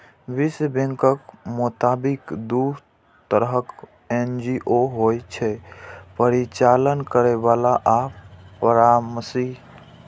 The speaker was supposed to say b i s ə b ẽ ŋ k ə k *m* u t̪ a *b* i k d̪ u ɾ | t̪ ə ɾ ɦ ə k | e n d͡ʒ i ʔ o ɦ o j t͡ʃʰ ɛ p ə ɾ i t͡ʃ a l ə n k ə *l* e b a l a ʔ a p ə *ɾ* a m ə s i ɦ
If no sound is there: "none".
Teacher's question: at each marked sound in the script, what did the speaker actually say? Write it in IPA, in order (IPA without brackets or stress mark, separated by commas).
m, b, ɾ, ɾ